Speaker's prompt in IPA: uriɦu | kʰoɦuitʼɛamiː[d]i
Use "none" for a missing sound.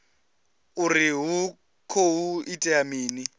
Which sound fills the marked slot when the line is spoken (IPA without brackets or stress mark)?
n